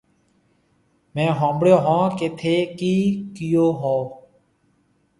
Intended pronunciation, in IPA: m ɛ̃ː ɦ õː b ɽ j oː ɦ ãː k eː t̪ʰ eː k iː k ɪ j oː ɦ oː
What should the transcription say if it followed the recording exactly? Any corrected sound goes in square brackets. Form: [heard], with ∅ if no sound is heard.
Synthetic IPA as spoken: m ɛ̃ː ɦ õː b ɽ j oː ɦ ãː k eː t̪ʰ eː k iː k ɪ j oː ɦ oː

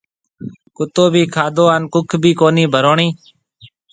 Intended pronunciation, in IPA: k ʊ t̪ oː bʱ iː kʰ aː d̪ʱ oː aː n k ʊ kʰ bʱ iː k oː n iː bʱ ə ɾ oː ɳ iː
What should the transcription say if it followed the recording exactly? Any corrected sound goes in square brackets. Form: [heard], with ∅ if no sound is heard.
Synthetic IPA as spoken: k ʊ t̪ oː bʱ iː kʰ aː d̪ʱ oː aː n k ʊ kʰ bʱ iː k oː n iː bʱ ə ɾ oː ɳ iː

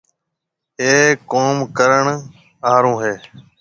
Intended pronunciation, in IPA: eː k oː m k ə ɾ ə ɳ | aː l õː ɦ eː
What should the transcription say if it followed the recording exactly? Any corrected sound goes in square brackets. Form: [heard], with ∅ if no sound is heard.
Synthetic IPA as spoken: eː k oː m k ə ɾ ə ɳ | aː [ɾ] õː ɦ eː

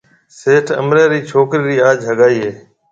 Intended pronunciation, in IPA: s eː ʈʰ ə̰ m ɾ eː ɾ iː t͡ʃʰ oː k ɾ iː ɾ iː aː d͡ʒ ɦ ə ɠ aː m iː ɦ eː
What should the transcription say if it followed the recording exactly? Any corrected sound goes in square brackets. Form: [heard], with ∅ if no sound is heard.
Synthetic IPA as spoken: s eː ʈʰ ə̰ m ɾ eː ɾ iː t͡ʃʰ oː k ɾ iː ɾ iː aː d͡ʒ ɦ ə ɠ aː [∅] iː ɦ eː

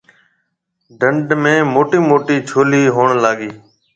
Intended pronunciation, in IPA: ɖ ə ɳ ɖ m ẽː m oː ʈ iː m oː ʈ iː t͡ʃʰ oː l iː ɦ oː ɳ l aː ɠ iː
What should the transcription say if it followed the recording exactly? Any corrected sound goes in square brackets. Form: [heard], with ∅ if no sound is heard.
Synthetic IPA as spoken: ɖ ə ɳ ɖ m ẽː m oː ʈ iː m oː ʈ iː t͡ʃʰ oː l iː ɦ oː ɳ l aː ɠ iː

